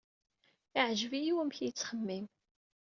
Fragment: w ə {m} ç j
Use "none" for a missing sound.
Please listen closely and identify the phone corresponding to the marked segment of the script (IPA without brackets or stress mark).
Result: m